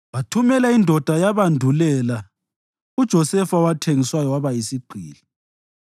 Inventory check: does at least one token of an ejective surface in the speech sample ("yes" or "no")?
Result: no